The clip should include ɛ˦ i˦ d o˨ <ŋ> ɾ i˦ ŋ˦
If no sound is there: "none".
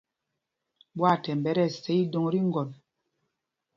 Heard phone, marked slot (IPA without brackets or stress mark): ŋ